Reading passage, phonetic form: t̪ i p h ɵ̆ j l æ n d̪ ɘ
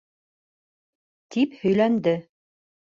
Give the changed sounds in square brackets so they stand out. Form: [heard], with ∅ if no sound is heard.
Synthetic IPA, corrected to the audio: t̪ i p h ɵ̆ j l æ n d̪ ɘ